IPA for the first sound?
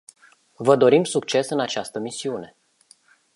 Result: v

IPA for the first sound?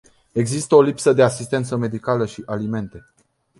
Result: e̞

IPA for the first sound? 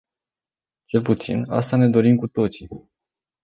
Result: t͡ʃ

